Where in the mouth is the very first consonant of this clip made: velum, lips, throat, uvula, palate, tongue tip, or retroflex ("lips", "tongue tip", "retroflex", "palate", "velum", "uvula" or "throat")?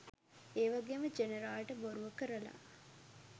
lips